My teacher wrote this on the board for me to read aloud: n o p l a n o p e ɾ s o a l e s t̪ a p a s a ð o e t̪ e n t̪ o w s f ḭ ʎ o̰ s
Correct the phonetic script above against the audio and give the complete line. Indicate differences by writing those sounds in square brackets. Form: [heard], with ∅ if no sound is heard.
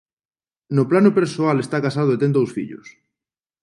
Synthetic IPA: n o p l a n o p e ɾ s o a l e s t̪ a [k] a s a ð o e t̪ e n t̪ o w s f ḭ ʎ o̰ s

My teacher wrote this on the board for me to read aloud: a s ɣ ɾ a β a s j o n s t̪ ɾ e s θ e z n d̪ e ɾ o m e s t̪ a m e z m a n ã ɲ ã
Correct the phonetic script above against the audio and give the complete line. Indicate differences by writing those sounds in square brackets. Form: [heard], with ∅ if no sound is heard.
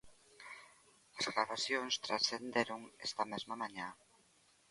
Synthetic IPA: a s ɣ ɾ a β a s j o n s t̪ ɾ [a] s θ e [∅] n d̪ e ɾ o [ŋ] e s t̪ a m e z m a [m] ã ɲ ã

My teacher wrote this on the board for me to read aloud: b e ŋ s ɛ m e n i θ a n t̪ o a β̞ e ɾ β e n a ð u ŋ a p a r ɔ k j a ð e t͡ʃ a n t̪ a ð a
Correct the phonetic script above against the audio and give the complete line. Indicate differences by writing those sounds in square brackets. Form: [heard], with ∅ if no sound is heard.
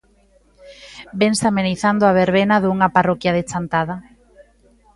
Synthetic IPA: b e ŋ s [a] m e n i θ a n [d̪] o a β̞ e ɾ β e n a ð u ŋ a p a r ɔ k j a ð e t͡ʃ a n t̪ a ð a

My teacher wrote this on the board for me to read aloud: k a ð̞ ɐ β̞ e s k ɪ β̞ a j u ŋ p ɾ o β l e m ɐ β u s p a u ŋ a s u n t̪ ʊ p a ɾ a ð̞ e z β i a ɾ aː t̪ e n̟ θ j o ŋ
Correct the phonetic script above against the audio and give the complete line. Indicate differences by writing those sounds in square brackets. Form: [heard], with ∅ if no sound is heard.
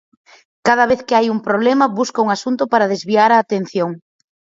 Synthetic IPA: k a ð̞ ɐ β̞ e [θ] k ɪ [∅] a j u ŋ p ɾ o β l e m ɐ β u s [k] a u ŋ a s u n t̪ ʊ p a ɾ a ð̞ e z β i a ɾ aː t̪ e n̟ θ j o ŋ

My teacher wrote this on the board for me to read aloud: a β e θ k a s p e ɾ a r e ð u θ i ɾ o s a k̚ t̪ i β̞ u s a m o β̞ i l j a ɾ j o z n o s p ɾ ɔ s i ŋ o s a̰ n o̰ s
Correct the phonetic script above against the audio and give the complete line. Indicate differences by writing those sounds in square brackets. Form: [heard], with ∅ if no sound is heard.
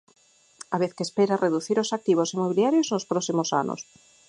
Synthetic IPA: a β e θ k [e] s p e ɾ a r e ð u θ i ɾ o s a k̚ t̪ i β̞ [o] s [i] m o β̞ i l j a ɾ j o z n o s p ɾ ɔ s i [m] o s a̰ n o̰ s

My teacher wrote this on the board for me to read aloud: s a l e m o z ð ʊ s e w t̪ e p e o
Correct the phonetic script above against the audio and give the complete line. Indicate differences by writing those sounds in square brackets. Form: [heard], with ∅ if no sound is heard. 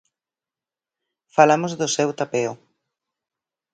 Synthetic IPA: [f] a l [a] m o z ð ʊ s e w t̪ [a] p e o

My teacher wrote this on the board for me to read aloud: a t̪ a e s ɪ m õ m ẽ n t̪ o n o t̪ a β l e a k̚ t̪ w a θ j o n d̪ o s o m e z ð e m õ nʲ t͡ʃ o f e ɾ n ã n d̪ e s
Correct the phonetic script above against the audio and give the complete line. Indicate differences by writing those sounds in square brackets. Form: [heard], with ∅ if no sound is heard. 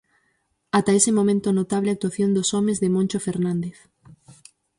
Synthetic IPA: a t̪ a e s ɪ m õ m ẽ n t̪ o n o t̪ a β l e a k̚ t̪ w a θ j o n d̪ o s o m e z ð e m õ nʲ t͡ʃ o f e ɾ n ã n d̪ e [θ]

